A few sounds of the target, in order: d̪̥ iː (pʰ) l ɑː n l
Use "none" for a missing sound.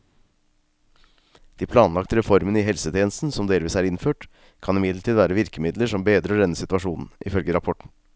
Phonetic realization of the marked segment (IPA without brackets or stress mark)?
pʰ